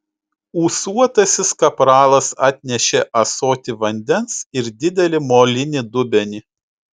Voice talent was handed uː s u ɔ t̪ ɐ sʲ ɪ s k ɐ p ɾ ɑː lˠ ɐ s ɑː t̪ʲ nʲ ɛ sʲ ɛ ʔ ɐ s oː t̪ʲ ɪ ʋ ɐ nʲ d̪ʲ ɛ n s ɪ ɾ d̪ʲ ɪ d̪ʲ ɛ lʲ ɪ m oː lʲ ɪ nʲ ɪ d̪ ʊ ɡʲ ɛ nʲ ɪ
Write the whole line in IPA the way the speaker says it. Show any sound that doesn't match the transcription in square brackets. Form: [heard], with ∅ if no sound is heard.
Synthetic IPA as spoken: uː s u ɔ t̪ ɐ sʲ ɪ s k ɐ p ɾ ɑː lˠ ɐ s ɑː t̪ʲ nʲ ɛ [ʃʲ] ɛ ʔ ɐ s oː t̪ʲ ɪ ʋ ɐ nʲ d̪ʲ ɛ n s ɪ ɾ d̪ʲ ɪ d̪ʲ ɛ lʲ ɪ m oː lʲ ɪ nʲ ɪ d̪ ʊ [bʲ] ɛ nʲ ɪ